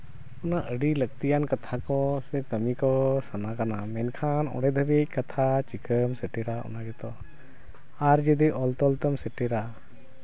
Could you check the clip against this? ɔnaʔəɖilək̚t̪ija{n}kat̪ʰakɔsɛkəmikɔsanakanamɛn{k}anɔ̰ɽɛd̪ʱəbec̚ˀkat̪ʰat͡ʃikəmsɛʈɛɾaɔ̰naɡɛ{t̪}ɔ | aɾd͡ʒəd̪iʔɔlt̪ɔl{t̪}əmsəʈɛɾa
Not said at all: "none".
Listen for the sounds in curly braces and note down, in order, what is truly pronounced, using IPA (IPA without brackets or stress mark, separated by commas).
n, kʰ, t̪, t̪